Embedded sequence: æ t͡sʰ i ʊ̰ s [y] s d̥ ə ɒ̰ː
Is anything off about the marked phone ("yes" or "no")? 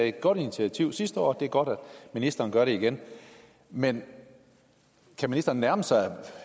yes